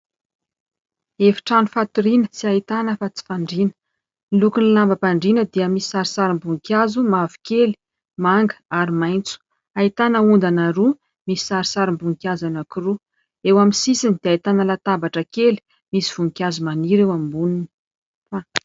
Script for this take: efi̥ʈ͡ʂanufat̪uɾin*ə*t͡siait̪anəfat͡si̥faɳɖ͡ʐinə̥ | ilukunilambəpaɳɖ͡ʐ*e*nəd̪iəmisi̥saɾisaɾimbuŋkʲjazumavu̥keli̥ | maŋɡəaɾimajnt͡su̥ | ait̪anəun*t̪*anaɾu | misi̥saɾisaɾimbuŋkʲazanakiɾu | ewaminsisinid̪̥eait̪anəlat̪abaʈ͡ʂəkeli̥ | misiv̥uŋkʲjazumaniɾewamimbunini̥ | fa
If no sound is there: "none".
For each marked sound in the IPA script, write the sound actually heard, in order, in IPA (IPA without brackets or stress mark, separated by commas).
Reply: ə, i, d̪